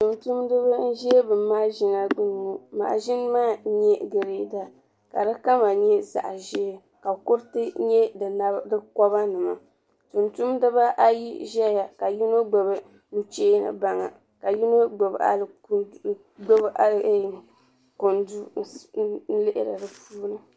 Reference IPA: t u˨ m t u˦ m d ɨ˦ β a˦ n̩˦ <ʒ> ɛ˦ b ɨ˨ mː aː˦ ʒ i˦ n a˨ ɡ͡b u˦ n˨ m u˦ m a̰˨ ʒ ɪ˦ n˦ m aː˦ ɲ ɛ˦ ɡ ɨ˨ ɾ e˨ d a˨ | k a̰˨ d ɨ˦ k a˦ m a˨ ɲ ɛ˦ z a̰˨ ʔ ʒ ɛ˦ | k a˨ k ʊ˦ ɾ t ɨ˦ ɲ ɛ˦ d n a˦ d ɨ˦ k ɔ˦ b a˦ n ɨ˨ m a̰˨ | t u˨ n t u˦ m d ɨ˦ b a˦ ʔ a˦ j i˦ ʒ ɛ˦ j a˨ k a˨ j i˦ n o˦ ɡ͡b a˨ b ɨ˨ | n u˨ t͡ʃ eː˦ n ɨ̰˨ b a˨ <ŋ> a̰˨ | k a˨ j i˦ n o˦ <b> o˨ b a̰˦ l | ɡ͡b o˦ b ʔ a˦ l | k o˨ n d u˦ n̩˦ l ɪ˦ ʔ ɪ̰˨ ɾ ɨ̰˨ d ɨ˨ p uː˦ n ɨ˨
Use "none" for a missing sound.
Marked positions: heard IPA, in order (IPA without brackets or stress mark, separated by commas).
ʒ, ŋ, ɡ͡b